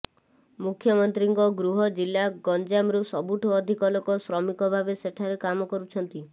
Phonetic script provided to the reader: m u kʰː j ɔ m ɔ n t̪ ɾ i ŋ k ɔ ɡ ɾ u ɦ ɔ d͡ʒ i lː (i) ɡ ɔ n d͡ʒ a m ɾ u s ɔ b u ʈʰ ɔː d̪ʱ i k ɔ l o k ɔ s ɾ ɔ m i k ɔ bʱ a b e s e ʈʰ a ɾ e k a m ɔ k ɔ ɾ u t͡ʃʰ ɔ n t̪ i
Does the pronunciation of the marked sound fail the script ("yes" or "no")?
yes